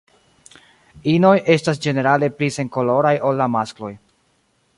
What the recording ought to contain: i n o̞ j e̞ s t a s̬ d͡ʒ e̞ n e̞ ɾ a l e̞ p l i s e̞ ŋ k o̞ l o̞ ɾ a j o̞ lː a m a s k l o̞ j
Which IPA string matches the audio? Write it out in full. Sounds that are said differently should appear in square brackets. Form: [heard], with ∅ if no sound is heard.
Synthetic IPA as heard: i n o̞ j e̞ s t a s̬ d͡ʒ e̞ n e̞ ɾ a l e̞ p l i s e̞ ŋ k o̞ l o̞ ɾ a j o̞ lː a m a s k l o̞ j